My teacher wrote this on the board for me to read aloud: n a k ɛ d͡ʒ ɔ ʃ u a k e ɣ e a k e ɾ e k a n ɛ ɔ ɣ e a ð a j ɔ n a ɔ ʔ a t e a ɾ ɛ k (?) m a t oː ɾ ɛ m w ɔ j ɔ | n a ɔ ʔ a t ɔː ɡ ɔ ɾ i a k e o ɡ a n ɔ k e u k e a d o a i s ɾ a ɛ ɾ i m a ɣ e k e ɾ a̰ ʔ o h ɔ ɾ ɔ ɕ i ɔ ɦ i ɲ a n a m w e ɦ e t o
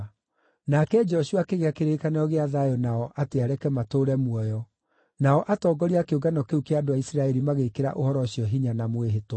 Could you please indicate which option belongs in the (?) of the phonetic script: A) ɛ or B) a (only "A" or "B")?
A